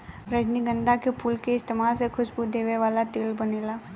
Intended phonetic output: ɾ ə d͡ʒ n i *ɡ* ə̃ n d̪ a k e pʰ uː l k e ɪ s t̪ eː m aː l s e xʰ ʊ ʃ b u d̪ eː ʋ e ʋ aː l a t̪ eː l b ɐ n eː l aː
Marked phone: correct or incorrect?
correct